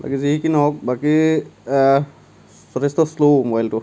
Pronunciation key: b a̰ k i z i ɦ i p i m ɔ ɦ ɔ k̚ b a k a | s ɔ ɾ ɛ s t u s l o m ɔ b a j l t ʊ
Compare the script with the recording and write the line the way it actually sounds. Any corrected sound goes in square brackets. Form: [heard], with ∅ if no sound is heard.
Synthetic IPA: b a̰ k i z i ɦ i [k] i [n] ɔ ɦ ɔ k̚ b a k [i] | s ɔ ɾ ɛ s t [ɔ] s l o m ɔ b a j l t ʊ